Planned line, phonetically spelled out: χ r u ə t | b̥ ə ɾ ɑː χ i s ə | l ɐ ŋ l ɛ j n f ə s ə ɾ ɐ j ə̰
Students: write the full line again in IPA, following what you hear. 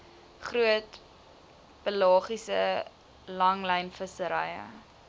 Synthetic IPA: χ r u ə t | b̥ ə l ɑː χ i s ə | l ɐ ŋ l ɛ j n f ə s ə ɾ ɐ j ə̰